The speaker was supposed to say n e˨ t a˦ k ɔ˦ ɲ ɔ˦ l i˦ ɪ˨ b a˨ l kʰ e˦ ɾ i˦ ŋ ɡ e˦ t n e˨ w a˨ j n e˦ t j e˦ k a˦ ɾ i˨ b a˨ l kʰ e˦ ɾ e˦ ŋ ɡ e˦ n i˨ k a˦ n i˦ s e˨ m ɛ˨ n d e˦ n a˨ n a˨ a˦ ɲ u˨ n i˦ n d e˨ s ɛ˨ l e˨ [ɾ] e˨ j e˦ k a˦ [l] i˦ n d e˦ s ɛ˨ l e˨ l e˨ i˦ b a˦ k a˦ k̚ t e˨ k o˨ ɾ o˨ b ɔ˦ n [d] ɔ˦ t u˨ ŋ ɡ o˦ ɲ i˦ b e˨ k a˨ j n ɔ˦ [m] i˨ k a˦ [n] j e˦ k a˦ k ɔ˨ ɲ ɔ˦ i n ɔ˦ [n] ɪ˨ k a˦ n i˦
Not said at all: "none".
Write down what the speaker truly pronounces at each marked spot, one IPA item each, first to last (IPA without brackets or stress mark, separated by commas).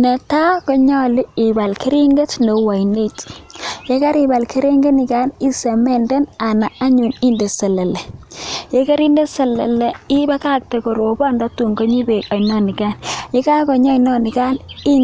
l, ɾ, d, n, n, n